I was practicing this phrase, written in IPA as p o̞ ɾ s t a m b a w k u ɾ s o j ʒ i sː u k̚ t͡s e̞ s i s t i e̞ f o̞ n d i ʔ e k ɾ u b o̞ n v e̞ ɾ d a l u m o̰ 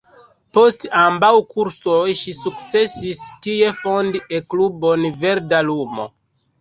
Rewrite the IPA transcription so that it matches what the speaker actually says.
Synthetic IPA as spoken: p o̞ s t a m b a w k u ɾ s o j ʃ i s u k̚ t͡s e̞ s i s t i e̞ f o̞ n d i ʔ e k l u b o̞ n v e̞ ɾ d a l u m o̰